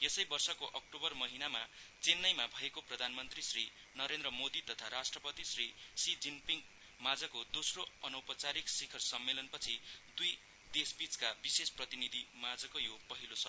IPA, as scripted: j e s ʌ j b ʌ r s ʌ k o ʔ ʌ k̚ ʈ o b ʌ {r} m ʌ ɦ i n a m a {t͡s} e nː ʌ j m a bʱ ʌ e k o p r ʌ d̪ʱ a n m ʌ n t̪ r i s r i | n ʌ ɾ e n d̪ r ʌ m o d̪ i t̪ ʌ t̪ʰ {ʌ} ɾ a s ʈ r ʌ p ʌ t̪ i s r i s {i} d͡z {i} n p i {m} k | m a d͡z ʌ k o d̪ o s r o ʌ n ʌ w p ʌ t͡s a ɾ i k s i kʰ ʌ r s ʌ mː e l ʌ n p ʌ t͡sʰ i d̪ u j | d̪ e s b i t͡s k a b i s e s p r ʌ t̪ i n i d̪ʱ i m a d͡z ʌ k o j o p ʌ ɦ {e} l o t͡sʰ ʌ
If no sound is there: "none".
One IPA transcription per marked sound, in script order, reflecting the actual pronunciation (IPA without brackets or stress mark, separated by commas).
r, t͡s, a, i, i, ŋ, i